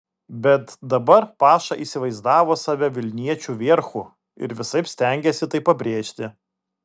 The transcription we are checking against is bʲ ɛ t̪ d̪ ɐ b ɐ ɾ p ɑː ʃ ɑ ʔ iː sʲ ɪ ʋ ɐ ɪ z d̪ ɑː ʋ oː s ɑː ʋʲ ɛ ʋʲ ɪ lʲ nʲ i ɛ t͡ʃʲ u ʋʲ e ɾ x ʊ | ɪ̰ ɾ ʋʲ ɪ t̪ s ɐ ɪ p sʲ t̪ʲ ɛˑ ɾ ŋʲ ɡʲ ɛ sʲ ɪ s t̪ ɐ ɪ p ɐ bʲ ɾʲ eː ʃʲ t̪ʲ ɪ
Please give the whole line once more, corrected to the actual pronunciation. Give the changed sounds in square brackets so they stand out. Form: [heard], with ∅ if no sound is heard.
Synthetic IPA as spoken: bʲ ɛ t̪ d̪ ɐ b ɐ ɾ p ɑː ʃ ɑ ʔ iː sʲ ɪ ʋ ɐ ɪ z d̪ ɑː ʋ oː s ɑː ʋʲ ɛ ʋʲ ɪ lʲ nʲ i ɛ t͡ʃʲ u ʋʲ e ɾ x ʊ | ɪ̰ ɾ ʋʲ ɪ [∅] s ɐ ɪ p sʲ t̪ʲ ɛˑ [∅] ŋʲ ɡʲ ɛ sʲ ɪ [∅] t̪ ɐ ɪ p ɐ bʲ ɾʲ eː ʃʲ t̪ʲ ɪ